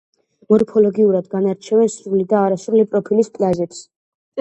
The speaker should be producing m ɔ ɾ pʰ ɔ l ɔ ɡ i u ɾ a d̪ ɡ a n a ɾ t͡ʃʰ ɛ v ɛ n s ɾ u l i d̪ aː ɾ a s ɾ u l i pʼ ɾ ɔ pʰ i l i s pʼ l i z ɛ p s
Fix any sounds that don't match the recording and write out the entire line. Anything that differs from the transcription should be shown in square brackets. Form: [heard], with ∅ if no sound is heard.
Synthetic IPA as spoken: m ɔ ɾ pʰ ɔ l ɔ ɡ i u ɾ a d̪ ɡ a n a ɾ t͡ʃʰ ɛ v ɛ n s ɾ u l i d̪ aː ɾ a s ɾ u l i pʼ ɾ ɔ pʰ i l i s pʼ l [a] z ɛ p s